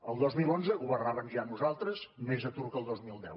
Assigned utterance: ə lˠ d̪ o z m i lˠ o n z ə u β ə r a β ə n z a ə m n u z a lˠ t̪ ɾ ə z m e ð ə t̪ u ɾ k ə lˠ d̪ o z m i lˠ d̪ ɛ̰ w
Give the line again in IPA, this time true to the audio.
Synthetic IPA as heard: ə lˠ d̪ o z m i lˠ o n z ə u β ə r a β ə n ʒ a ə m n u z a lˠ t̪ ɾ ə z m e z ə t̪ u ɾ k ə lˠ d̪ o z m i lˠ d̪ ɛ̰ w

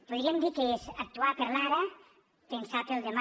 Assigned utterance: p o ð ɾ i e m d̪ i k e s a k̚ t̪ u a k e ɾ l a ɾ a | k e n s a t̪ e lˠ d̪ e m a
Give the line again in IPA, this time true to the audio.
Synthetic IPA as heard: p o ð ɾ i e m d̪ i k e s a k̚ t̪ u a p e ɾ l a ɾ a | p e n s a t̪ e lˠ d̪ e m a

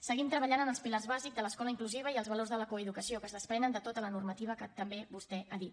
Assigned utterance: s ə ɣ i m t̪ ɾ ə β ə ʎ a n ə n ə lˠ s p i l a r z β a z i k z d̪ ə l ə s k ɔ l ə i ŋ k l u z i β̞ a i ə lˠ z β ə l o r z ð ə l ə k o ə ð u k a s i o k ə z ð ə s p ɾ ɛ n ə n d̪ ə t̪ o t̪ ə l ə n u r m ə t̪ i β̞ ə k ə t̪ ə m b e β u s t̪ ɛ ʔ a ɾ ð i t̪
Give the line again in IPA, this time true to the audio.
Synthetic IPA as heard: s ə ɣ i m t̪ ɾ ə β ə ʎ a n ə n ə lˠ s p i l a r z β a z i k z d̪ ə l ə s k ɔ l ə i ŋ k l u z i β̞ ə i ə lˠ z β ə l o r z ð ə l ə k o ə ð u k ə s i o k ə z ð ə s p ɾ ɛ n ə n d̪ ə t̪ o t̪ ə l ə n u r m ə t̪ i β̞ ə k ə t̪ ə m b e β u s t̪ ɛ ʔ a ð i t̪

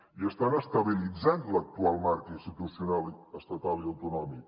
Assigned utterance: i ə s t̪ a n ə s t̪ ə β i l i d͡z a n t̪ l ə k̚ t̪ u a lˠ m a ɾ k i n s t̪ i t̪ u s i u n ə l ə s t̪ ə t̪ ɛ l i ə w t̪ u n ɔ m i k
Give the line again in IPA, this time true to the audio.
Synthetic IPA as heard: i ə s t̪ a n ə s t̪ ə β i l i d͡z a n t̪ l ə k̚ t̪ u a lˠ m a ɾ k i n s t̪ i t̪ u s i u n a l ə s t̪ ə t̪ a l i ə w t̪ u n ɔ m i k

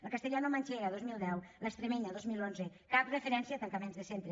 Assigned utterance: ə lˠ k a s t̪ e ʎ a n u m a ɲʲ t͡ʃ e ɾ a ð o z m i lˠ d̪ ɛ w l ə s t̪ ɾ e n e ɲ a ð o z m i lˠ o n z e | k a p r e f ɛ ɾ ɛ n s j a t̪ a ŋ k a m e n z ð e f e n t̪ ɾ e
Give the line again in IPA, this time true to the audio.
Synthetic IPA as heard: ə lˠ k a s t̪ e ʎ a n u m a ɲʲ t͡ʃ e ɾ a ð o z m i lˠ d̪ ɛ w l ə s t̪ ɾ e m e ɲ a ð o z m i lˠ o n z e | k a p r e f e ɾ ɛ n s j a t̪ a ŋ k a m e n z ð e s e n t̪ ɾ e

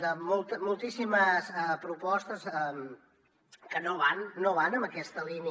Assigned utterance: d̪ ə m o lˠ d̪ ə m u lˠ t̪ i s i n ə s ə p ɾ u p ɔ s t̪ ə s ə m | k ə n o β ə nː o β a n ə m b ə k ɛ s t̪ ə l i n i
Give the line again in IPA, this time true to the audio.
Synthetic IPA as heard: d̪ ə m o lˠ t̪ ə m u lˠ t̪ i s i m ə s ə p ɾ u p ɔ s t̪ ə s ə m | k ə n o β a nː o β a n ə m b ə k ɛ s t̪ ə l i n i

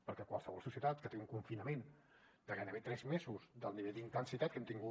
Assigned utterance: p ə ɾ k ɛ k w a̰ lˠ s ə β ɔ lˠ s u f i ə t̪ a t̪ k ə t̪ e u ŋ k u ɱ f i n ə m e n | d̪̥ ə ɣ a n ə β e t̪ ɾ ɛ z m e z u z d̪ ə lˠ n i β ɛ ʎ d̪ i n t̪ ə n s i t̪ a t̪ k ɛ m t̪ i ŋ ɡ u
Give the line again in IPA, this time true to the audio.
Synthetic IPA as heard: p ə ɾ k ɛ k w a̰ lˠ s ə β ɔ lˠ s u s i ə t̪ a t̪ k ə t̪ e u ŋ k u ɱ f i n ə m e n | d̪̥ ə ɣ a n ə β e t̪ ɾ ɛ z m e z u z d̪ ə lˠ n i β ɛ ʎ d̪ i n t̪ ə n s i t̪ a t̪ k ɛ m t̪ i ŋ ɡ u

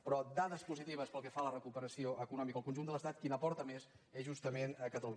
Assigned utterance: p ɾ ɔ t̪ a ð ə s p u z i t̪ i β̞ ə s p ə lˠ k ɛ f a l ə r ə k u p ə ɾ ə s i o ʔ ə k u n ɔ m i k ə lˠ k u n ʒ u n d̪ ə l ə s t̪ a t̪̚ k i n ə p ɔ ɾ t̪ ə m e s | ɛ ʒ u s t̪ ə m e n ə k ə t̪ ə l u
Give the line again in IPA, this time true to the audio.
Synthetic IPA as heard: p ɾ ɔ d̪ a ð ə s p u z i t̪ i β̞ ə s p ə lˠ k ɛ f a l ə r ə k u p ə ɾ ə s i o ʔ ə k u n ɔ m i k ə lˠ k u n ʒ u n d̪ ə l ə s t̪ a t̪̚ k i n ə p ɔ ɾ t̪ ə m e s | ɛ ʒ u s t̪ ə m e n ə k ə t̪ ə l u

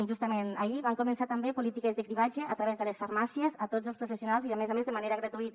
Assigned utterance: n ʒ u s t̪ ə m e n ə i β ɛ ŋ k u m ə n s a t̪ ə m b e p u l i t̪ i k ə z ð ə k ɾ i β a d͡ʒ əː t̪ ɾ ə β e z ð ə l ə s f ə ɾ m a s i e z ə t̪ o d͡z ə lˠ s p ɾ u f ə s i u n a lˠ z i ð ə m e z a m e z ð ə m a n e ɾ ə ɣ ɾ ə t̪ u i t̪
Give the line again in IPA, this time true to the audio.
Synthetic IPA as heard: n ʒ u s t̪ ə m e n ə i β a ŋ k u m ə n s a t̪ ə m b e p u l i t̪ i k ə z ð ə k ɾ i β a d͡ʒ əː t̪ ɾ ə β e z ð ə l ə s f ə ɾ m a s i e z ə t̪ o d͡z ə lˠ s p ɾ u f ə s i u n a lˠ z i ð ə m e z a m e z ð ə m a n e ɾ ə ɣ ɾ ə t̪ u i t̪

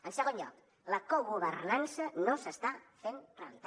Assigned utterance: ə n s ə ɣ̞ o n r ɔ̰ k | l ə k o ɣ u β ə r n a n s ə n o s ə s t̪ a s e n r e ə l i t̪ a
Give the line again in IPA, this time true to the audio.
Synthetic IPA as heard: ə n s ə ɣ̞ o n ʎ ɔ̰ k | l ə k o ɣ u β ə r n a n s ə n o s ə s t̪ a f e n r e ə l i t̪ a

